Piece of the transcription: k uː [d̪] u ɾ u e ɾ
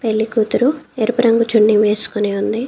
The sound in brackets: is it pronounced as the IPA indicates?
no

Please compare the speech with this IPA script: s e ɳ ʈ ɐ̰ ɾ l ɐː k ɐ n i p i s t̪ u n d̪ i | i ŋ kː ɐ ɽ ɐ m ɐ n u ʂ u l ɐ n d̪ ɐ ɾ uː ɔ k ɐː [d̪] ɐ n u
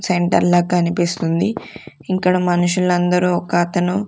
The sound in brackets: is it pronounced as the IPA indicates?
no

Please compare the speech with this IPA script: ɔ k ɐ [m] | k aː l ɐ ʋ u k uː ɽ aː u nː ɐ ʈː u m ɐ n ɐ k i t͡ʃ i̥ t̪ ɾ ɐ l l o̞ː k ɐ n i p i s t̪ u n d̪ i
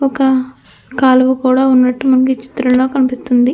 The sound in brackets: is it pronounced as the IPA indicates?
no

